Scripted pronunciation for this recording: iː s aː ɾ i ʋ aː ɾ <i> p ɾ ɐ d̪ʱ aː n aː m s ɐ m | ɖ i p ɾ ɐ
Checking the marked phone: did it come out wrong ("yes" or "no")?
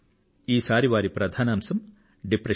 no